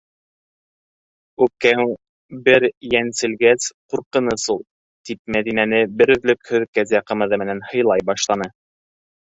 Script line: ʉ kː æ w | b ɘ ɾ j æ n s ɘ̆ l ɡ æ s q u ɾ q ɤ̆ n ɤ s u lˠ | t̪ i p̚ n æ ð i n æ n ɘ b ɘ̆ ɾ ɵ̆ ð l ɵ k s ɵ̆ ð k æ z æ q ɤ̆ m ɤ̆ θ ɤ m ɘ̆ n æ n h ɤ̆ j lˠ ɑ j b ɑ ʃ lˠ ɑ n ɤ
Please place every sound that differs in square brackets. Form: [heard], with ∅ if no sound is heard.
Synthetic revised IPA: ʉ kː æ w | b ɘ ɾ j æ n s ɘ̆ l ɡ æ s q u ɾ q ɤ̆ n ɤ s u lˠ | t̪ i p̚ [m] æ ð i n æ n ɘ b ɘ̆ ɾ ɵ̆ ð l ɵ k [h] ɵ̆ ð k æ z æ q ɤ̆ m ɤ̆ [ð] ɤ m ɘ̆ n æ n h ɤ̆ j lˠ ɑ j b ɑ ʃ lˠ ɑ n ɤ